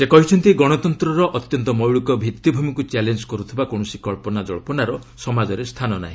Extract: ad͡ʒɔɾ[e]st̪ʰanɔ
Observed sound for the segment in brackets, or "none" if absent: e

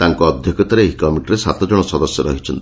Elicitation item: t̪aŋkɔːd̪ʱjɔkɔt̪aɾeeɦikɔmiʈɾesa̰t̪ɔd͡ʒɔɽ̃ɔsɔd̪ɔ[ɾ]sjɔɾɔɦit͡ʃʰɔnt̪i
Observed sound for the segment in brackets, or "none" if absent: none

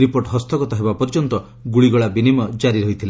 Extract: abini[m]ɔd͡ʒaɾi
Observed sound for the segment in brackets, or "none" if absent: m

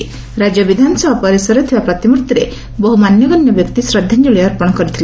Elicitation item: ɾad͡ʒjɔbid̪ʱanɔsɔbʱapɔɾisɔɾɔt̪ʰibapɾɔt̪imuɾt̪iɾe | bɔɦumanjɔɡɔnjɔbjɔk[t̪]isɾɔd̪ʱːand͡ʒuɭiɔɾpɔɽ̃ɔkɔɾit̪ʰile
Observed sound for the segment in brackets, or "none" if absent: t̪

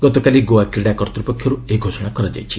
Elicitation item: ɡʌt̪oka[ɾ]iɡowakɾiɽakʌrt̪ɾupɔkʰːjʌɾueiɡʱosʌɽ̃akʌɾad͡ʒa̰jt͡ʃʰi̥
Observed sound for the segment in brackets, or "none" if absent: l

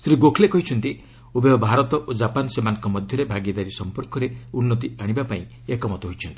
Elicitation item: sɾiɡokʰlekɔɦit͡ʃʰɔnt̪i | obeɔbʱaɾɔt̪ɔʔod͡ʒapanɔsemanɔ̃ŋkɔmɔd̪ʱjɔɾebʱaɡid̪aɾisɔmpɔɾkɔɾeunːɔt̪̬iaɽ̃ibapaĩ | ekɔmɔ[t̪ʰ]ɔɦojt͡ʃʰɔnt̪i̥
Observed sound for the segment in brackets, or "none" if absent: t̪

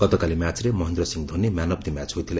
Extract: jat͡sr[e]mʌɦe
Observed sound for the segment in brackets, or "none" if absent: e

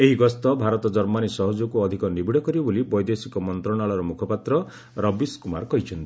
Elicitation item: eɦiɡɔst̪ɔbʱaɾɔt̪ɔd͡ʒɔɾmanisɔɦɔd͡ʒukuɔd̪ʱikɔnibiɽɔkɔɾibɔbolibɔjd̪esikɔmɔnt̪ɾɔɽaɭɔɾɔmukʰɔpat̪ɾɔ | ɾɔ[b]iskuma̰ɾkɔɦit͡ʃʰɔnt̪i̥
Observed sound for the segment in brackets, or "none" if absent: b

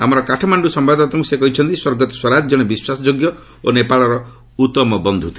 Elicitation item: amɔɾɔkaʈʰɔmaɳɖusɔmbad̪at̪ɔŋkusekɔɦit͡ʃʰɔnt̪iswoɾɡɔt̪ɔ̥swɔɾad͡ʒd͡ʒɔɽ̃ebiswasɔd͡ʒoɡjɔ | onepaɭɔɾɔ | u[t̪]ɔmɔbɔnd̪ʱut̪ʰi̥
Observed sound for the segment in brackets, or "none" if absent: t̪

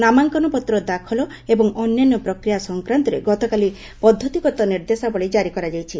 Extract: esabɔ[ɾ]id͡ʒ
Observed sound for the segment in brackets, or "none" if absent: ɭ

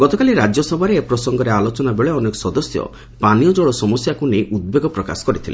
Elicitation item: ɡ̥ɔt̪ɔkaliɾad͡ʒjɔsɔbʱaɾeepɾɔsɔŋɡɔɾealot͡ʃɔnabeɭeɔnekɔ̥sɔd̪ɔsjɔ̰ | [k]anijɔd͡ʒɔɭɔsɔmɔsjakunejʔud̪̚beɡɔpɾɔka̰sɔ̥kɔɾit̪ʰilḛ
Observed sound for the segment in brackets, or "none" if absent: p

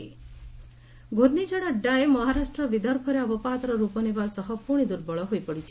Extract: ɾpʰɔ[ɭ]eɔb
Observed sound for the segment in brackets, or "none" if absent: ɾ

